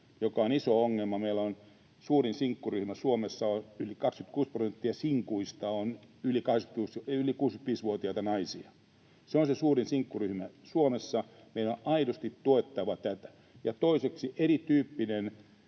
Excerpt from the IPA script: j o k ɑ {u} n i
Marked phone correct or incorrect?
incorrect: o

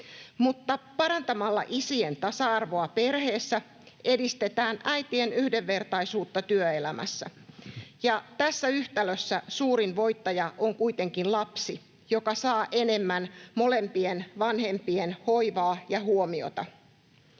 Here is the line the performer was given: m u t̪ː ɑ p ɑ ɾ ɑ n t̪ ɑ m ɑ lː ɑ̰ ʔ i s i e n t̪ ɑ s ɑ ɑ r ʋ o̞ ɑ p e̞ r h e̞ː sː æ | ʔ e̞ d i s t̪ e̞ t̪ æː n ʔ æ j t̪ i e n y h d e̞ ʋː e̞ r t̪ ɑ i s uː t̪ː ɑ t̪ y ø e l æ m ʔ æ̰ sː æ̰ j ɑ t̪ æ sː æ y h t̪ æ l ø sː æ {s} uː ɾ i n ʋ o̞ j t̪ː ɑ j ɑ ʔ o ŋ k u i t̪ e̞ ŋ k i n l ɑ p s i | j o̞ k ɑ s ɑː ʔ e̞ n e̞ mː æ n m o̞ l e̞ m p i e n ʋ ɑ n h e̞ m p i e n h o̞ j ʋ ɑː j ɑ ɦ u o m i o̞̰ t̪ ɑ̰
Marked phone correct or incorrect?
correct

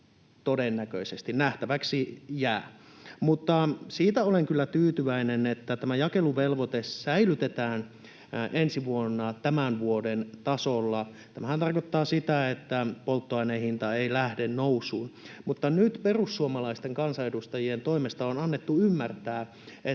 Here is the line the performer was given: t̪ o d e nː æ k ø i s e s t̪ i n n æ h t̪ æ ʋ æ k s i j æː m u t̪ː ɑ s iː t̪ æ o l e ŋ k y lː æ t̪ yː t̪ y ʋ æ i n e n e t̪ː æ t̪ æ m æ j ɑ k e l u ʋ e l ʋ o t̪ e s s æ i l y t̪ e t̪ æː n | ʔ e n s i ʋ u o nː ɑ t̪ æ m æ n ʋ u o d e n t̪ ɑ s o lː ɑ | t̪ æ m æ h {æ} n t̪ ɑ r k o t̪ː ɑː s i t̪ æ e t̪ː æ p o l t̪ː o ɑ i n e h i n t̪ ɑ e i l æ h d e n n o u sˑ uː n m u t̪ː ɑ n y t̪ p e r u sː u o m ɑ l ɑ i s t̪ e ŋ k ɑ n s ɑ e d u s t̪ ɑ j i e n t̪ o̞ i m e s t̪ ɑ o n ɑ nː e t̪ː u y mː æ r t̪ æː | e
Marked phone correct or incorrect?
correct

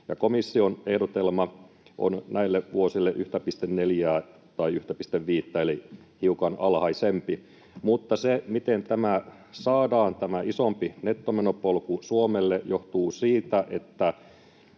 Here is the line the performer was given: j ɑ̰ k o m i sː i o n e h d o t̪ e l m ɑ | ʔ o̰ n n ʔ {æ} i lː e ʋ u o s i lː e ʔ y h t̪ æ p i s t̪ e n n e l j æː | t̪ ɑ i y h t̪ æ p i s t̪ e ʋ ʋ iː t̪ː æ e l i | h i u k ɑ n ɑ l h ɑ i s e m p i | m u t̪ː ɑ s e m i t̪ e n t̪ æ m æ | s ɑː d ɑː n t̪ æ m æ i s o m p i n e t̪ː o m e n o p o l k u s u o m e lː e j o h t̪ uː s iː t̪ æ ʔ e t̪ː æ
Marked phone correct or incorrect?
correct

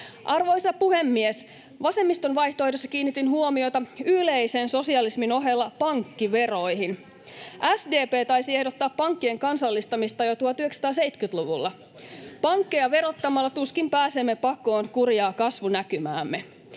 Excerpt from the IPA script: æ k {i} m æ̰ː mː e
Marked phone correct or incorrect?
incorrect: y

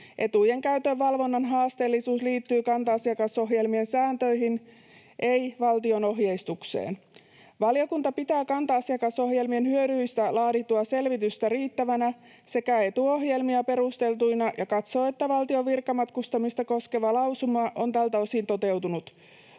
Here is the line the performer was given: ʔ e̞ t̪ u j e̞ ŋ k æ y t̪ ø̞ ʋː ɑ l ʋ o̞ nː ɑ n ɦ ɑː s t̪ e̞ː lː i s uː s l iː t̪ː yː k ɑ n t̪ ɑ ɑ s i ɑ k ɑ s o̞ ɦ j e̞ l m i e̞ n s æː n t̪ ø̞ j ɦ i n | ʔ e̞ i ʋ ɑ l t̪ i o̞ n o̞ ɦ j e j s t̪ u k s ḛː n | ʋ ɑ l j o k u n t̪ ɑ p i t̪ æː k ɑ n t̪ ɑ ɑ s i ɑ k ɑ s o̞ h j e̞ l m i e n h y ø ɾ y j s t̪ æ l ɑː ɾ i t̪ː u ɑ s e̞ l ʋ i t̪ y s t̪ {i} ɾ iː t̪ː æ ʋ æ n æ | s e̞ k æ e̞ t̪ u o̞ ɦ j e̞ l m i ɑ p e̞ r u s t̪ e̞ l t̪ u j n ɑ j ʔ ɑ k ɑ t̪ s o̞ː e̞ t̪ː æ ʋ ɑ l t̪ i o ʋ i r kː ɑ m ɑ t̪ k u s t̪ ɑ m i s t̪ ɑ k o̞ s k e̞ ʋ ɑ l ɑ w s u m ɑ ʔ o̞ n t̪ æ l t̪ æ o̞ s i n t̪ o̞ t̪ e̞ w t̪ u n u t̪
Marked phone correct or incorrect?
incorrect: æ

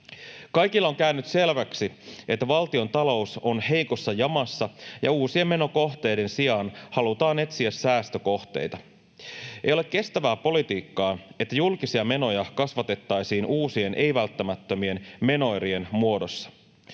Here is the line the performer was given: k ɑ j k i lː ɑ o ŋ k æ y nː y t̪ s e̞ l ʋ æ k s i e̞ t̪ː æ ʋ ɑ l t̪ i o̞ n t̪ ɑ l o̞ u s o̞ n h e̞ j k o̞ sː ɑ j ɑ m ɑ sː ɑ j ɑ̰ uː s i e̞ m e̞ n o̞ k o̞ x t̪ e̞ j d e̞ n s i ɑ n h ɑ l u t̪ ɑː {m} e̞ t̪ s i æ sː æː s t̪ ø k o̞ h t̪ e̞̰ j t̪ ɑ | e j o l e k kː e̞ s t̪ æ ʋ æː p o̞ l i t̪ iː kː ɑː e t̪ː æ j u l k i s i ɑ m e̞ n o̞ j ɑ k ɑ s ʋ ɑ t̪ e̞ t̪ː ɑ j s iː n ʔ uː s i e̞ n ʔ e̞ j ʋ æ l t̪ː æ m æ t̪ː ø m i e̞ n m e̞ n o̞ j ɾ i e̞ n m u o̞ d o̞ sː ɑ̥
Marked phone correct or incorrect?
incorrect: n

